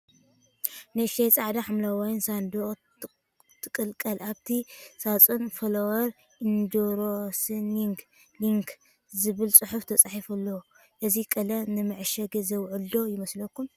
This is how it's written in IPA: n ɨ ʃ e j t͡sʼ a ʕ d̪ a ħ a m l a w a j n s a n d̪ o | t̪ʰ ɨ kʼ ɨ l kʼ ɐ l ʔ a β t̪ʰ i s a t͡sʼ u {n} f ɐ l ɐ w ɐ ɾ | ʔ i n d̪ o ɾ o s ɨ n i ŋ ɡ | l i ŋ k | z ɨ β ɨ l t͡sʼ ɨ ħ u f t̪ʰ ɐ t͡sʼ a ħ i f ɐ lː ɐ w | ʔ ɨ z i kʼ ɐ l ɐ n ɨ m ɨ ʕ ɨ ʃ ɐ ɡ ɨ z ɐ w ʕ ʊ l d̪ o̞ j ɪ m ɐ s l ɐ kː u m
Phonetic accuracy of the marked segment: correct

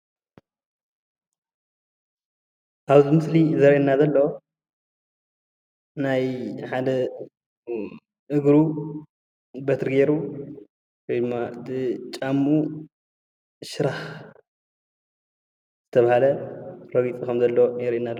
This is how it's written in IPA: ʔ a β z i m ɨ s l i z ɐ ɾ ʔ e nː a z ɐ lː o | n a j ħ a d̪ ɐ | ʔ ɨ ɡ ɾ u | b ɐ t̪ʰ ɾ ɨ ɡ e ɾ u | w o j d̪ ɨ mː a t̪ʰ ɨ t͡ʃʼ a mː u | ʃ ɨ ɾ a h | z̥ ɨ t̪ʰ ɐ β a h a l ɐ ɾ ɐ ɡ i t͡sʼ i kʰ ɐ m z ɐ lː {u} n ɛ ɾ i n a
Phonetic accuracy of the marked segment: incorrect: o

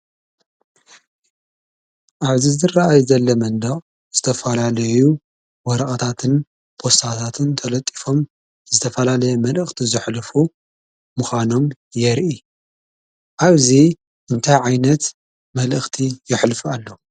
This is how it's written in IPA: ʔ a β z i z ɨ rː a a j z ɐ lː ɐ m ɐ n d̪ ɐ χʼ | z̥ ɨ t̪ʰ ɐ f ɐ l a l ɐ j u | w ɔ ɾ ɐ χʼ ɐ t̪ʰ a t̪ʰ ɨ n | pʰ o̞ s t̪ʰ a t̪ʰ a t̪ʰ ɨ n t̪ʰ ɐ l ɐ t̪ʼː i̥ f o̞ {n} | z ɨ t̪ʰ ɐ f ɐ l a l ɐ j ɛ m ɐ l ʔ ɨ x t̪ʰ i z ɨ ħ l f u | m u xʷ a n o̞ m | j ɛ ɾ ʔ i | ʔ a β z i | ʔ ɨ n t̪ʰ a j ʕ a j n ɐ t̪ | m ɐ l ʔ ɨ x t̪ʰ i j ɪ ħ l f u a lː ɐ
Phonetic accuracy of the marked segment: incorrect: m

